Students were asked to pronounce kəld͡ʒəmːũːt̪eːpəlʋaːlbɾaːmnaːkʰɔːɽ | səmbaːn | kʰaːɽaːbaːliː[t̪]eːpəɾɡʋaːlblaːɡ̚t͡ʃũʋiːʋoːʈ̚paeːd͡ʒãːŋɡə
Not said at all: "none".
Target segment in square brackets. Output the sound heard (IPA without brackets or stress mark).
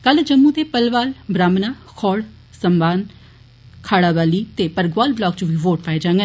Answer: t̪